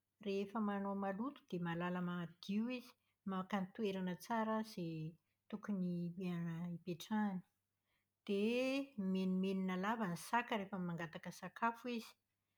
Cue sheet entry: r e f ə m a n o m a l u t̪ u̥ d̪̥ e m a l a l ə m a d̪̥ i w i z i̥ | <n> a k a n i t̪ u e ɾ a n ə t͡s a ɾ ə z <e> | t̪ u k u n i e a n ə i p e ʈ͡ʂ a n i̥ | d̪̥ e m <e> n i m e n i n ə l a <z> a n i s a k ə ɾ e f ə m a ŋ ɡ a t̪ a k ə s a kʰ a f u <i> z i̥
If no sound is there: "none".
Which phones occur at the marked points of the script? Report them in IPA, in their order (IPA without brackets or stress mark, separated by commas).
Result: m, e, e, v, i